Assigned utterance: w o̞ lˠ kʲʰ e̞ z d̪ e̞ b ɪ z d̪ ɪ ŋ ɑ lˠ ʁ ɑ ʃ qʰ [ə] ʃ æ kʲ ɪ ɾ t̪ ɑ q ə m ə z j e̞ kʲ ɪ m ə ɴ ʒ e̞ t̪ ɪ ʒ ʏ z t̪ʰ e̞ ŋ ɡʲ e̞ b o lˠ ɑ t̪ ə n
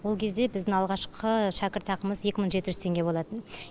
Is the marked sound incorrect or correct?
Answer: correct